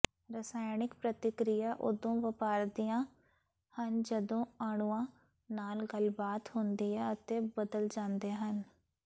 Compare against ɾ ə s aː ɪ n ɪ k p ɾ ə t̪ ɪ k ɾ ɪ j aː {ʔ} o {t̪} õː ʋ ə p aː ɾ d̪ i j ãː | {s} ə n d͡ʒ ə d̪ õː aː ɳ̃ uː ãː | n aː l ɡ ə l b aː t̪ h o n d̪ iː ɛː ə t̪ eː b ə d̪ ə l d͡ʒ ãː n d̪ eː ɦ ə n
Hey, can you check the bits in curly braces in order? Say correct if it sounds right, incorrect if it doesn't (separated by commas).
correct, incorrect, incorrect